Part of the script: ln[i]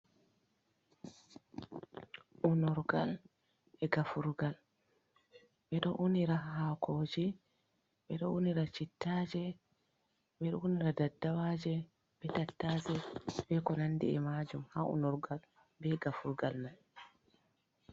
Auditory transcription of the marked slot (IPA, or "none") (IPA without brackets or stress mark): a